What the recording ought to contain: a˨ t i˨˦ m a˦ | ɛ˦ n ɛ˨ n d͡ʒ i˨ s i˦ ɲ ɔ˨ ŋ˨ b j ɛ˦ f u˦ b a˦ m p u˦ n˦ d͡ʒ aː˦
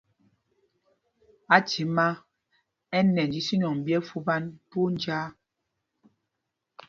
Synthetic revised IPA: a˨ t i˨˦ m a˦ | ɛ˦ n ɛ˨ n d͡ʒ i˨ s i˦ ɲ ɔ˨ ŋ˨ b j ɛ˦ f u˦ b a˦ n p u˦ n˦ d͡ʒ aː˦